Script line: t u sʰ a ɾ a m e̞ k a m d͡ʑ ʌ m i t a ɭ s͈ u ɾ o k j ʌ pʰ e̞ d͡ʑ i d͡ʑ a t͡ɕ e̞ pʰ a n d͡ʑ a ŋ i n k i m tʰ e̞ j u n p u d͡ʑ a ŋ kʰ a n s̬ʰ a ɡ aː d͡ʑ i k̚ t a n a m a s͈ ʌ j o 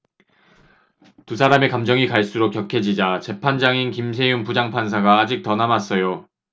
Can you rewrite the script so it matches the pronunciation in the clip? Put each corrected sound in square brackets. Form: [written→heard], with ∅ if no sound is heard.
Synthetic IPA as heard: t u sʰ a ɾ a m e̞ k a m d͡ʑ ʌ [m→ŋ] i [t→k] a ɭ s͈ u ɾ o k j ʌ [pʰ→kʰ] e̞ d͡ʑ i d͡ʑ a t͡ɕ e̞ pʰ a n d͡ʑ a ŋ i n k i m [tʰ→sʰ] e̞ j u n p u d͡ʑ a ŋ [kʰ→pʰ] a n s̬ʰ a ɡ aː d͡ʑ i k̚ t [a→ʌ] n a m a s͈ ʌ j o